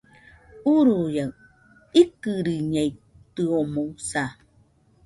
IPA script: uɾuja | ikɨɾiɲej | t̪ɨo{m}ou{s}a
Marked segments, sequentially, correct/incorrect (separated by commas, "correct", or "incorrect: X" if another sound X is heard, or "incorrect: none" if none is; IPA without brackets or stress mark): correct, correct